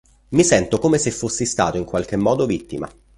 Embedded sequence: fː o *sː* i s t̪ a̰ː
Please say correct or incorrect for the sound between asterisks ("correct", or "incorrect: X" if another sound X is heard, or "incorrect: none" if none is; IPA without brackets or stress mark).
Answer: correct